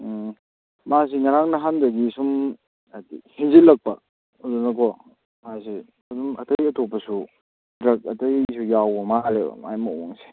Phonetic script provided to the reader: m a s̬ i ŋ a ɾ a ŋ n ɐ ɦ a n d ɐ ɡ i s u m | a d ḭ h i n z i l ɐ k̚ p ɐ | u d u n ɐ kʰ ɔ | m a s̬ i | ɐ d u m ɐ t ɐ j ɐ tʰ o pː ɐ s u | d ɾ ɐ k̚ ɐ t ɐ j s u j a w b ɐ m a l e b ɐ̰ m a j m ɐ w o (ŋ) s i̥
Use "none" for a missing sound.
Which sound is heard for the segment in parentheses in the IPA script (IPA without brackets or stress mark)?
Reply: ŋ